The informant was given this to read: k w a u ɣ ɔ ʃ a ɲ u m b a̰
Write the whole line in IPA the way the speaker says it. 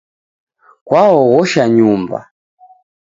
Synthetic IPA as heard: k w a ɔ ɣ ɔ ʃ a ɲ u m b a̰

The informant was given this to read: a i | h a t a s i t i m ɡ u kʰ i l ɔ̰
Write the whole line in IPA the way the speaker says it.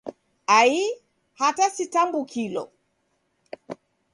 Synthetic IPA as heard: a i | h a t a s i t a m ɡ u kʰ i l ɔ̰

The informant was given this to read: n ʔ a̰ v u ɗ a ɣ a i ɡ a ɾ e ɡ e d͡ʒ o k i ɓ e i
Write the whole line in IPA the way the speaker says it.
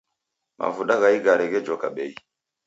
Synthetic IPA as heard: m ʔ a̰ v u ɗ a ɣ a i ɡ a ɾ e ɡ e d͡ʒ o k a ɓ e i

